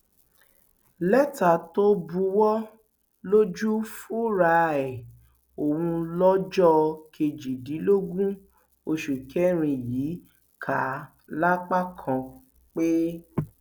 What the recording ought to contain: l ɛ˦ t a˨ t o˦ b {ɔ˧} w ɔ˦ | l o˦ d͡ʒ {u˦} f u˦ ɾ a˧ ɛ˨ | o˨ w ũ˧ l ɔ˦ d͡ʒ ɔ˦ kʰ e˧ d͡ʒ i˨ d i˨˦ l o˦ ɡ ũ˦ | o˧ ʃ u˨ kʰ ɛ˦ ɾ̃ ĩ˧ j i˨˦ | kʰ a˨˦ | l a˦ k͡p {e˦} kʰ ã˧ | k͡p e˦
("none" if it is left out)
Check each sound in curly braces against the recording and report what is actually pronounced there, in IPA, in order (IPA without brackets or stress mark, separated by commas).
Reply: u˧, u˦, a˦